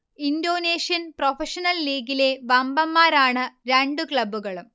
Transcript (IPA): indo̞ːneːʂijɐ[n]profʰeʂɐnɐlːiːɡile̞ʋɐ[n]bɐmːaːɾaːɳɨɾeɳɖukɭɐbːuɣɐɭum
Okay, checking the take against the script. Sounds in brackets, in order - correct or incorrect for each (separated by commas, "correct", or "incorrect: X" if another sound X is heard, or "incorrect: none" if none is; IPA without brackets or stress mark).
correct, incorrect: m